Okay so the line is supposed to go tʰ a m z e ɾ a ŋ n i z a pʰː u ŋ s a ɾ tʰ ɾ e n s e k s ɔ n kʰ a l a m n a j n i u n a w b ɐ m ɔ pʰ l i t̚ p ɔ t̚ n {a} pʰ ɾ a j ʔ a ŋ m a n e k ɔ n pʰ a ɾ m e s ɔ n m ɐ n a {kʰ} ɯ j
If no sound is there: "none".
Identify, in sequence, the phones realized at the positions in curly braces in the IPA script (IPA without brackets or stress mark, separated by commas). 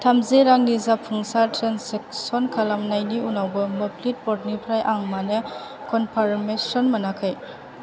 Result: i, kʰ